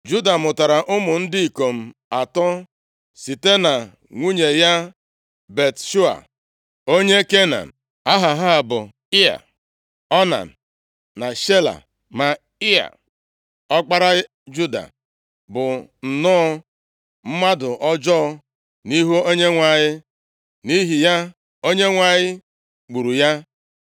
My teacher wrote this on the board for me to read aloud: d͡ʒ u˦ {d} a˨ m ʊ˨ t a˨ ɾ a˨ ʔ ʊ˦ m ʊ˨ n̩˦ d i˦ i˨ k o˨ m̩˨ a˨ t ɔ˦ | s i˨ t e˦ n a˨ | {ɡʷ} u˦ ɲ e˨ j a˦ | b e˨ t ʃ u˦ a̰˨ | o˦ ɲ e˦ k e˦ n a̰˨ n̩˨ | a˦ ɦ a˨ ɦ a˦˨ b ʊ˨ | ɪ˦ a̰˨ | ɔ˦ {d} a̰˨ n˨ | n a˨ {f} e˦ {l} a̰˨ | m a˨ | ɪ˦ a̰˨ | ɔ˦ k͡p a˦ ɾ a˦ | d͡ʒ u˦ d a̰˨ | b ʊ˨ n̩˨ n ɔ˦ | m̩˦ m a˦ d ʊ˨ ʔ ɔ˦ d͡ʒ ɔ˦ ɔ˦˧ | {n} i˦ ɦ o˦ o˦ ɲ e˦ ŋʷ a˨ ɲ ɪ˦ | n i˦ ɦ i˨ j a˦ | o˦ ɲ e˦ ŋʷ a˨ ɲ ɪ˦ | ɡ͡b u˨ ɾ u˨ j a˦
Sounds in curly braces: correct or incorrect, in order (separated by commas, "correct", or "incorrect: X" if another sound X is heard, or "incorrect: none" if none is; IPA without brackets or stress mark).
correct, incorrect: ŋʷ, incorrect: n, incorrect: ʃ, correct, correct